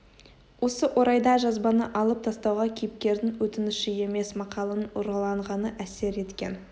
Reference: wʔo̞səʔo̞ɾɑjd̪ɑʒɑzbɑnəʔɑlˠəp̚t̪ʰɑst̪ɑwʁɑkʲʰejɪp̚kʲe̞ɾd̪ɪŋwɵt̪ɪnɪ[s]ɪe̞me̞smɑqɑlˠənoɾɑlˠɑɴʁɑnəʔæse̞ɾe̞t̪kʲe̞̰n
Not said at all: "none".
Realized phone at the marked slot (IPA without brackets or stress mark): ʃ